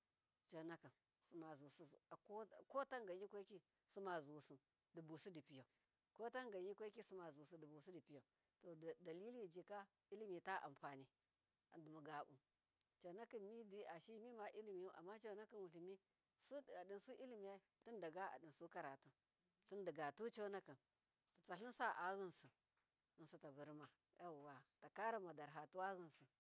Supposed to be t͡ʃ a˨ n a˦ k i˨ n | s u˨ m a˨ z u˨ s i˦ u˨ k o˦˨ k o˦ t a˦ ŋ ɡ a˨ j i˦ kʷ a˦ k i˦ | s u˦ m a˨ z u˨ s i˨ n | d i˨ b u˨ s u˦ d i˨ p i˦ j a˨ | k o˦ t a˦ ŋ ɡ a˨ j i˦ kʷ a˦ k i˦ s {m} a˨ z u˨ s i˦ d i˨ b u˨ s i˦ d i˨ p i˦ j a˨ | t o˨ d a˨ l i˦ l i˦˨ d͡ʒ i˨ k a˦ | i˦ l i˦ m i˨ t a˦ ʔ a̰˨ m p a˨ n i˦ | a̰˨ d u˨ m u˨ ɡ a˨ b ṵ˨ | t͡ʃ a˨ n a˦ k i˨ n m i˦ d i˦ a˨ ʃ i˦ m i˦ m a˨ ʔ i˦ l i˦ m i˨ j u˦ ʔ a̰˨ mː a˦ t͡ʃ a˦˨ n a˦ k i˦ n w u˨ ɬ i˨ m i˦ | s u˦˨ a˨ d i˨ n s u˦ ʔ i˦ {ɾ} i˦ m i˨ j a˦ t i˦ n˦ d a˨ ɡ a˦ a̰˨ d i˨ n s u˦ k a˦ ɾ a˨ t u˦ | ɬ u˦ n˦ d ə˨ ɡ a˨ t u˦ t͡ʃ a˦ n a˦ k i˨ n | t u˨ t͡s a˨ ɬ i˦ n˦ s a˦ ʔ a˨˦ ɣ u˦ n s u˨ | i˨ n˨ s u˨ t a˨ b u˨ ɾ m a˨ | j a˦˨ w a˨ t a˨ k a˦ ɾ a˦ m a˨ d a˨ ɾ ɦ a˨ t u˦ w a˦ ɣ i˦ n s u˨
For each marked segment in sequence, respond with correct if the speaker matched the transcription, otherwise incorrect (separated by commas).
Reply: correct, incorrect